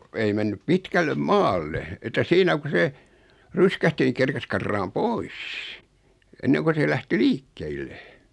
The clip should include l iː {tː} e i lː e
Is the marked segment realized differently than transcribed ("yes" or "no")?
yes